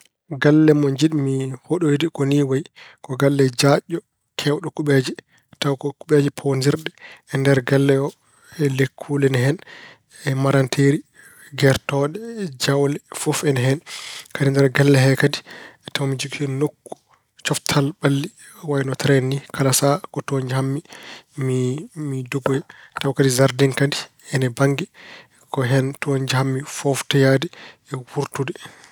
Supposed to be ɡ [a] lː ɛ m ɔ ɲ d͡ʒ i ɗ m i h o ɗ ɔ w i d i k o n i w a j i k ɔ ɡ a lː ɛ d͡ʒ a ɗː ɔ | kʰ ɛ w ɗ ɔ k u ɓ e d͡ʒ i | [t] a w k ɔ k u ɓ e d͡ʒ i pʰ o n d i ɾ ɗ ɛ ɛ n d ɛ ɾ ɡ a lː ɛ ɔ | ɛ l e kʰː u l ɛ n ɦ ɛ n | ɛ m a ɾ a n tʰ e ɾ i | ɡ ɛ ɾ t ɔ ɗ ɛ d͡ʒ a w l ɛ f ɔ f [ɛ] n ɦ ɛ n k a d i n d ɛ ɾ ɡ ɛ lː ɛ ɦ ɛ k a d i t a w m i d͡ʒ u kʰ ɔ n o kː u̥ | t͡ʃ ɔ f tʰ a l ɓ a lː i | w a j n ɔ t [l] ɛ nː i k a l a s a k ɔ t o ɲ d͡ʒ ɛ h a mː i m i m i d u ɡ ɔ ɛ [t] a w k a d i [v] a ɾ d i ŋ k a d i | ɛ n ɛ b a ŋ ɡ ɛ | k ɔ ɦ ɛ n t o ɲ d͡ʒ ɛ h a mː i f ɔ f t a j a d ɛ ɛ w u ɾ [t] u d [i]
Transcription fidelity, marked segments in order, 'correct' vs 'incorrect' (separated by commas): correct, correct, correct, incorrect, correct, incorrect, correct, incorrect